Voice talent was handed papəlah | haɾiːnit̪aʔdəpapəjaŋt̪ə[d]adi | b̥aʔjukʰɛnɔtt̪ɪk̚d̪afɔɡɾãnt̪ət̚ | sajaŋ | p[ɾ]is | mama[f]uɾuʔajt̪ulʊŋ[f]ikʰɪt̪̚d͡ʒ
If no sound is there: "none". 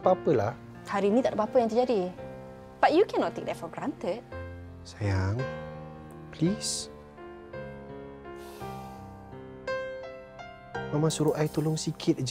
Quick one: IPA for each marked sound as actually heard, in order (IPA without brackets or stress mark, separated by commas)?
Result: d͡ʒ, l, s, s